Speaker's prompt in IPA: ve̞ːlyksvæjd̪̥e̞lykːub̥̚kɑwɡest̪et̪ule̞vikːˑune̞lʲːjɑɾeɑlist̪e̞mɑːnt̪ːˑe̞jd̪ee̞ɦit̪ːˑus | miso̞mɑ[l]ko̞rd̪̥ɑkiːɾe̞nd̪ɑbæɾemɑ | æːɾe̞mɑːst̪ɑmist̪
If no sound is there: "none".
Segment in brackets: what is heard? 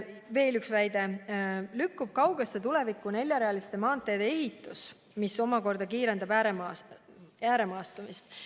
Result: none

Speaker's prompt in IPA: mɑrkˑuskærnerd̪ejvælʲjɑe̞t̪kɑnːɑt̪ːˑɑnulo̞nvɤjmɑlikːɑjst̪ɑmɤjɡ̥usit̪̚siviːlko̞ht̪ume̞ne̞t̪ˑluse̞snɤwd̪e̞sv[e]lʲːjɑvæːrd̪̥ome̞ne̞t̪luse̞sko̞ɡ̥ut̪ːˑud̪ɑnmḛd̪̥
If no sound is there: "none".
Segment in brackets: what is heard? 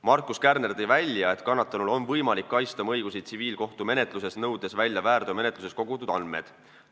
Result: æ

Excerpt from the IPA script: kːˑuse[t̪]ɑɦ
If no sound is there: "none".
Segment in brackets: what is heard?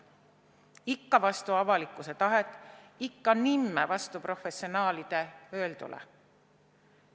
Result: t̪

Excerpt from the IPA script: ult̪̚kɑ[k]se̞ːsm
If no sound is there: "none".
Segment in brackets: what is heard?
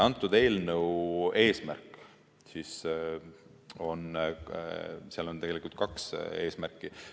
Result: k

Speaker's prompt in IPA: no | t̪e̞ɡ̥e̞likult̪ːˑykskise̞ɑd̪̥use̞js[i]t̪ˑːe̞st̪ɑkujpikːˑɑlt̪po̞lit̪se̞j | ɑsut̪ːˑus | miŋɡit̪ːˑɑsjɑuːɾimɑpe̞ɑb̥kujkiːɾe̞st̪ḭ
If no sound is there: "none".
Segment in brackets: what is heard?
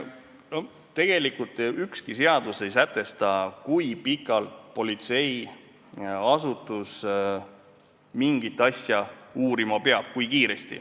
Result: æ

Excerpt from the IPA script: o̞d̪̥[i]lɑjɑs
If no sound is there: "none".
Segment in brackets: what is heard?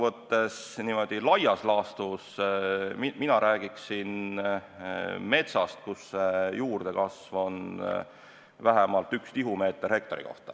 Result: i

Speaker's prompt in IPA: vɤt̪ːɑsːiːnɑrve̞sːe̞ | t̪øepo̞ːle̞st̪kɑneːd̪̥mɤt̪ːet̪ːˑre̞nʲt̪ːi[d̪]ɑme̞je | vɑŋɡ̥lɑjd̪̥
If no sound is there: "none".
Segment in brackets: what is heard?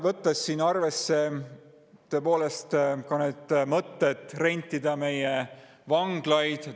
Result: d̪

